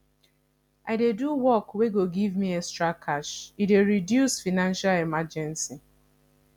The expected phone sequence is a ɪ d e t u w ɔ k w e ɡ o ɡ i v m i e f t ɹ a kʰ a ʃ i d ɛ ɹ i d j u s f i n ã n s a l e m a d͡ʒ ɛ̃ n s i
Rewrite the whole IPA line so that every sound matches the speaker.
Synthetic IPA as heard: a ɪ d e d u w ɔ k w e ɡ o ɡ i v m i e s t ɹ a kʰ a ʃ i d e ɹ i d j u s f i n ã n ʃ a l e m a d͡ʒ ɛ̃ n s i